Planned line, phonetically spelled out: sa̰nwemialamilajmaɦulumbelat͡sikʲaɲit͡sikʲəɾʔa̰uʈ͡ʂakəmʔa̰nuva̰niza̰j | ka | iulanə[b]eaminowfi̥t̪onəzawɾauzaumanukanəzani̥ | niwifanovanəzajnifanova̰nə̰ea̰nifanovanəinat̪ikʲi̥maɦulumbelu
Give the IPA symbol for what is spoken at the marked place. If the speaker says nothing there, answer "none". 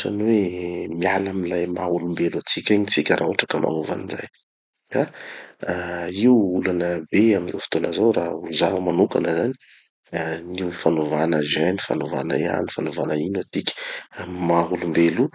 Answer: b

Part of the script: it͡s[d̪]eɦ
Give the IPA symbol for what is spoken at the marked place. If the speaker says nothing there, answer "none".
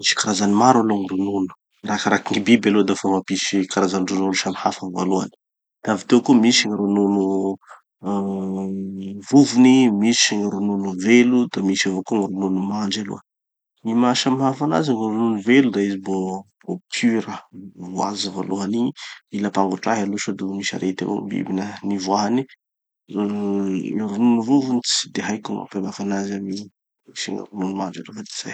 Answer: d̪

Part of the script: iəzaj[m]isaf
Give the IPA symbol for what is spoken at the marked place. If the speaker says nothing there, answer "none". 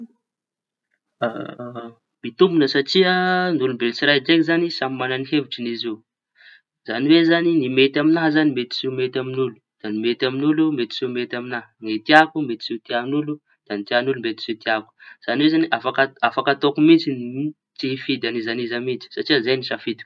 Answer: n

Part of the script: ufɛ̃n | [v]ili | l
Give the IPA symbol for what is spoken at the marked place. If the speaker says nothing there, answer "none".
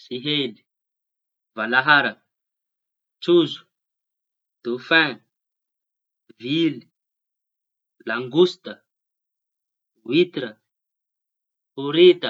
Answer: v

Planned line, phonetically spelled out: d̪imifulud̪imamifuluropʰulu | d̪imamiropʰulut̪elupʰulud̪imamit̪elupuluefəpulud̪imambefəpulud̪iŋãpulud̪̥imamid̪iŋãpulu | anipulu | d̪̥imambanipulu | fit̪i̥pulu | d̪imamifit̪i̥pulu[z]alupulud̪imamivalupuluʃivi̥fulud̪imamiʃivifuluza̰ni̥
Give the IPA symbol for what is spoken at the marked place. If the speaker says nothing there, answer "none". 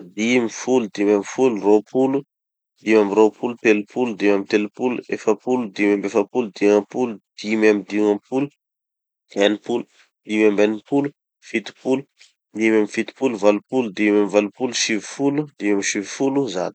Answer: v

